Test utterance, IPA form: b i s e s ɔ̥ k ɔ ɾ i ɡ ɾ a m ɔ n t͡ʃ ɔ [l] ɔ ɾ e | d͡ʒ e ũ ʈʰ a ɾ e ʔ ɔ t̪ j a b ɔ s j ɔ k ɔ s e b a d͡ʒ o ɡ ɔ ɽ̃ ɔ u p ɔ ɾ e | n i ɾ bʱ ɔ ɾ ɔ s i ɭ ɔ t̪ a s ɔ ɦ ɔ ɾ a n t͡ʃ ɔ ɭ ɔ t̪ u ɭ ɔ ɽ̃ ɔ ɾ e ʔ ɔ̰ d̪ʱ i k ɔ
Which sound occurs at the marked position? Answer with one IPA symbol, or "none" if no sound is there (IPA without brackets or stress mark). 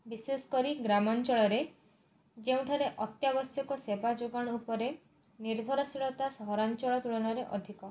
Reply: ɭ